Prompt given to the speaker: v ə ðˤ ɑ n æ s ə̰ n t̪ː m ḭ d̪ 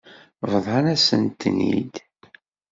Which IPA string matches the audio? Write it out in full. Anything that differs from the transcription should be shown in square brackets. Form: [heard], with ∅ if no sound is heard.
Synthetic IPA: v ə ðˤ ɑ n æ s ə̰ n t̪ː [n] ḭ d̪